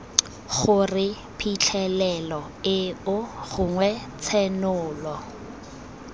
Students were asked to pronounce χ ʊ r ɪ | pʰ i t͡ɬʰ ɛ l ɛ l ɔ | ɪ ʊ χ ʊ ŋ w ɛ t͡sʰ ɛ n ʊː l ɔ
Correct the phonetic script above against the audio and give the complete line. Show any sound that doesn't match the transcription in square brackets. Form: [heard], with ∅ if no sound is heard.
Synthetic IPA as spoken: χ ʊ r ɪ | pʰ i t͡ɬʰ ɛ l ɛ l ɔ | ɪ ʊ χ ʊ ŋ w ɛ t͡sʰ ɛ n ʊː l ɔ